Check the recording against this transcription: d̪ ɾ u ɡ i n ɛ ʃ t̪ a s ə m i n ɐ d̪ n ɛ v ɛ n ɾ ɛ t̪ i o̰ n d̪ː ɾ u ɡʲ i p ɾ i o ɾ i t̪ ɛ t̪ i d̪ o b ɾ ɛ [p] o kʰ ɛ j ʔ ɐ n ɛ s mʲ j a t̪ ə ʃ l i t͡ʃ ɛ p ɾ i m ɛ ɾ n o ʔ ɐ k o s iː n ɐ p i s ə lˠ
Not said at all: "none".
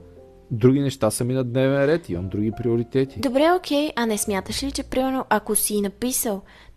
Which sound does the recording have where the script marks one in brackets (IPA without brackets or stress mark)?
none